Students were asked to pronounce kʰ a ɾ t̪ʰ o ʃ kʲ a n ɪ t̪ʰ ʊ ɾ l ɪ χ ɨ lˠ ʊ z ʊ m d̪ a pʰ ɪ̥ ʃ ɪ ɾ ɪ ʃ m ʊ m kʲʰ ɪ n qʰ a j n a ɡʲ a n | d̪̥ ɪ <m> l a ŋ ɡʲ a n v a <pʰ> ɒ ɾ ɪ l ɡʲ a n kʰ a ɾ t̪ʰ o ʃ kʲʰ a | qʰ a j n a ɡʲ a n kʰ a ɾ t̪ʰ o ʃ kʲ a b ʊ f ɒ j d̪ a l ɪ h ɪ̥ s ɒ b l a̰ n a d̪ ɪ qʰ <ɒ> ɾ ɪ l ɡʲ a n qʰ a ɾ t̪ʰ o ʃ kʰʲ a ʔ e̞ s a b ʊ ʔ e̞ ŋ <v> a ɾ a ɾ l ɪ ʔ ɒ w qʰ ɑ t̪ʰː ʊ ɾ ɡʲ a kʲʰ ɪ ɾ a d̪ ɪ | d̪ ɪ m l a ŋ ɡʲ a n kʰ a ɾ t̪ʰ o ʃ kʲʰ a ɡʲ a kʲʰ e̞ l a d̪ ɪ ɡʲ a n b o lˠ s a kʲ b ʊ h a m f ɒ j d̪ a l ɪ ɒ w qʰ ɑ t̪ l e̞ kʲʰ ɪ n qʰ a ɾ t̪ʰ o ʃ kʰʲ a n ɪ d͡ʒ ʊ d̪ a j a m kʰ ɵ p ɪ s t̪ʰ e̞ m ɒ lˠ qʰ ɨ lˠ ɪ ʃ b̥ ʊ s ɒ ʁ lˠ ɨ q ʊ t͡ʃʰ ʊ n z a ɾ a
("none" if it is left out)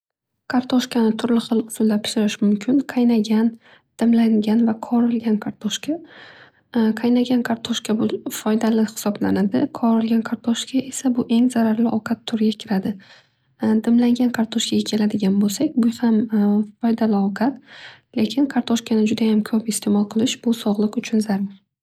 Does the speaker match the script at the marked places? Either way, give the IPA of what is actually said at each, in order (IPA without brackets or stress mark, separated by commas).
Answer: m, qʰ, ɒ, z